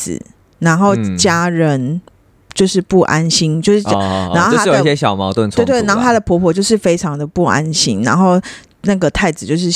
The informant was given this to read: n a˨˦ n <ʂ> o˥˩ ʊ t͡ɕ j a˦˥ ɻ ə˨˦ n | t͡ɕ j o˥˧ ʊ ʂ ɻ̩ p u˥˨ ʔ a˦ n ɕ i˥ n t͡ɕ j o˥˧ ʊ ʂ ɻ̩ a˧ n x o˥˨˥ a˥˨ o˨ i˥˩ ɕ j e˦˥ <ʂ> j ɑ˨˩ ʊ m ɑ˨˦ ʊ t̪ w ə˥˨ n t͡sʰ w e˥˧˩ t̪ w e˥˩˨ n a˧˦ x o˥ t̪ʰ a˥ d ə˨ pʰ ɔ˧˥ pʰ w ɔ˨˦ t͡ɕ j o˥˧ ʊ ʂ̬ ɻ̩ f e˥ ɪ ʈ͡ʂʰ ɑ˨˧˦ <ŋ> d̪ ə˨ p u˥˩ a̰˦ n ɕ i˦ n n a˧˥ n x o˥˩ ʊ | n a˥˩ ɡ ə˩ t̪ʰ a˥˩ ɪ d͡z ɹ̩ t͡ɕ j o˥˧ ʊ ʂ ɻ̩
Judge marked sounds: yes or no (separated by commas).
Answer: no, no, yes